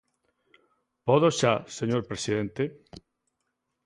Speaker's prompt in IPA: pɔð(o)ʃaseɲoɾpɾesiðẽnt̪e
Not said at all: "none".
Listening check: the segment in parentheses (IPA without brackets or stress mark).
o